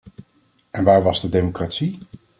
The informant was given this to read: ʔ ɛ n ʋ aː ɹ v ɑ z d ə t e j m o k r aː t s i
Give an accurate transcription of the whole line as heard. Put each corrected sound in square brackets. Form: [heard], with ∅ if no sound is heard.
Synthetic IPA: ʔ ɛ n ʋ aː ɹ [ʋ] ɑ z d ə [d] e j m o k r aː t s i